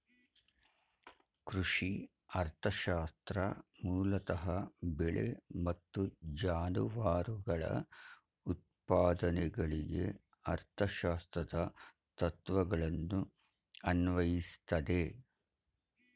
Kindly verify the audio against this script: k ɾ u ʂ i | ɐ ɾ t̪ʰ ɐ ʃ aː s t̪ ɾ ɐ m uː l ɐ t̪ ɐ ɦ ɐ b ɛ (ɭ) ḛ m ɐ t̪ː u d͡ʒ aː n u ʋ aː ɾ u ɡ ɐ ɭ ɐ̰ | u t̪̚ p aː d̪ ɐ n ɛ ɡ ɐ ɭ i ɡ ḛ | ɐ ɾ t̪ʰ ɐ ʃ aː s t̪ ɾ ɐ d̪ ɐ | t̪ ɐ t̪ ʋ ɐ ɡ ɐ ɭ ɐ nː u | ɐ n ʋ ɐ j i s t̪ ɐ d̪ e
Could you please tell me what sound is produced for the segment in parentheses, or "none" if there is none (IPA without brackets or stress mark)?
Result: ɭ